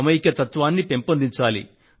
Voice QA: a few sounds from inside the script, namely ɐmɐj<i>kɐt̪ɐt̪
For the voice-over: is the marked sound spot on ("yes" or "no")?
yes